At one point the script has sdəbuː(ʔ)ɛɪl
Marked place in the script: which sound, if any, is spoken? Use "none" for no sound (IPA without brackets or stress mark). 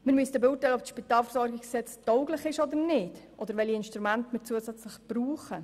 t